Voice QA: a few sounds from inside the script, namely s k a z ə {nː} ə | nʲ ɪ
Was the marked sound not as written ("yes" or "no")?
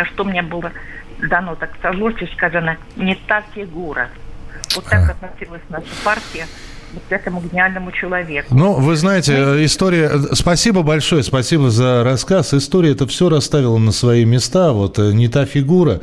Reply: yes